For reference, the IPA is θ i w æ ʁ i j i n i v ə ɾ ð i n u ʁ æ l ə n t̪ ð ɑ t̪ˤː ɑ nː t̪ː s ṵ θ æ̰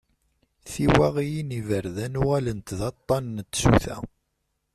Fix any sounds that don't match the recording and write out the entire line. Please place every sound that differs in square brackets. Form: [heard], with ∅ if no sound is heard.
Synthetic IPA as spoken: θ i w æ ʁ i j i n i v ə ɾ ð [æ] n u ʁ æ l ə n t̪ ð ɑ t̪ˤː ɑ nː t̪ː s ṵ θ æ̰